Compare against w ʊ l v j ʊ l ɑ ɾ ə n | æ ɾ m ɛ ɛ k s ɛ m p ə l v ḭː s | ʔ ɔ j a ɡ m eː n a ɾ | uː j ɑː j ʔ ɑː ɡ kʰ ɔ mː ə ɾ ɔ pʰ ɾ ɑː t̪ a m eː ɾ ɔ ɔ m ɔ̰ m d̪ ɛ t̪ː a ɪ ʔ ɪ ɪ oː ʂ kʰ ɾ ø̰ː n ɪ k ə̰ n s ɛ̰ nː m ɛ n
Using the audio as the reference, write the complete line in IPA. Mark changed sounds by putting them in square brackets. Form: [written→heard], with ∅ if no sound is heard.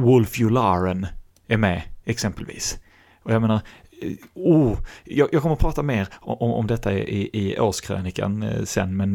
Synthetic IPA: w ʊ l [v→f] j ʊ l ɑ ɾ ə n | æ ɾ m ɛ ɛ k s ɛ m p ə l v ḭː s | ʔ ɔ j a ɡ m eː n a ɾ | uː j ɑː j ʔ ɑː ɡ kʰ ɔ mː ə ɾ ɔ pʰ ɾ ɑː t̪ a m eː ɾ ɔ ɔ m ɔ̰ m d̪ ɛ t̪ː a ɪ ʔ ɪ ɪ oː ʂ kʰ ɾ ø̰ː n ɪ k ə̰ n s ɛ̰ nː m ɛ n